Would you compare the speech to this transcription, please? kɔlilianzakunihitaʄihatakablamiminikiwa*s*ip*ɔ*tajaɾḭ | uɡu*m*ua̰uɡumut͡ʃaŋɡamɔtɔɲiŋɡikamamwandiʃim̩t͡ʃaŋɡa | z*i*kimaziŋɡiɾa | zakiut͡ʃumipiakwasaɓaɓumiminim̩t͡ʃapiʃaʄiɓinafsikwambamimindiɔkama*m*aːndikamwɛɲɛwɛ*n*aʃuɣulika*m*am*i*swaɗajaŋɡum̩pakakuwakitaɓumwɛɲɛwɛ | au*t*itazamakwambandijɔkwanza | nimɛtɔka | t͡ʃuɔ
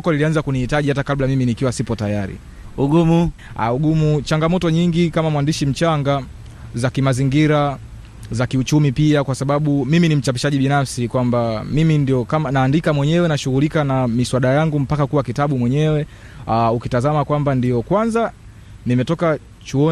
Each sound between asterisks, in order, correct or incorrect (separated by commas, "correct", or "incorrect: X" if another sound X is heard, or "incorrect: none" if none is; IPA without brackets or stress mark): correct, correct, correct, incorrect: a, incorrect: n, correct, incorrect: n, correct, incorrect: k